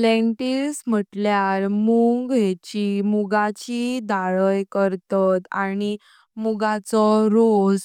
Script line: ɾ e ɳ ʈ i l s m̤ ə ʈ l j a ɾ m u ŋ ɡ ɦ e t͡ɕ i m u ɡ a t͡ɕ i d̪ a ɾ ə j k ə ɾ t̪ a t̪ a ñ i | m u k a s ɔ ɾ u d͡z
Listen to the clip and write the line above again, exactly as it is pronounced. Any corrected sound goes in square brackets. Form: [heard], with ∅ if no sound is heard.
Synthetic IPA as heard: [l] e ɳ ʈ i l s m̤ ə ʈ l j a ɾ m u ŋ ɡ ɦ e t͡ɕ i m u ɡ a t͡ɕ i d̪ a [ɭ] ə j k ə ɾ t̪ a t̪ a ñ i | m u [ɡ] a [t͡s] ɔ ɾ [o] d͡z